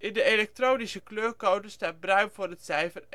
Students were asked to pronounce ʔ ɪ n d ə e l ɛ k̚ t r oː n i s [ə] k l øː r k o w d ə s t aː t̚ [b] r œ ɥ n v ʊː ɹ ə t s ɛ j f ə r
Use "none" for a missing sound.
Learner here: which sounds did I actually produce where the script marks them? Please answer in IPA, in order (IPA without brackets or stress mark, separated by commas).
ə, b